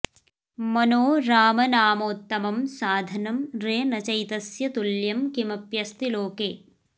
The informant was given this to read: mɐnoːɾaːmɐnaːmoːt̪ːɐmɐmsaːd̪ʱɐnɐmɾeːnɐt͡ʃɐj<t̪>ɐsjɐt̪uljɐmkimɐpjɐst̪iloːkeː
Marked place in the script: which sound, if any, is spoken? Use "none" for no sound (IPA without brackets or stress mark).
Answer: t̪